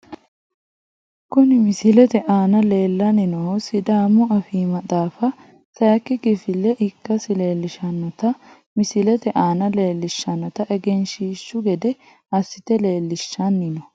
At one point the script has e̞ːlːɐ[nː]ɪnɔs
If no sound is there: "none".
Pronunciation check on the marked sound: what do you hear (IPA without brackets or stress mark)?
n